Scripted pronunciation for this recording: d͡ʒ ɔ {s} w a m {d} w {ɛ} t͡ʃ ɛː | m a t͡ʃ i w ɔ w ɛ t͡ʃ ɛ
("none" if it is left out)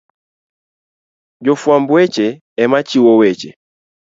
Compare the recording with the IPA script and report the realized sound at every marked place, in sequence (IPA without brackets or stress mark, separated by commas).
f, b, ɛ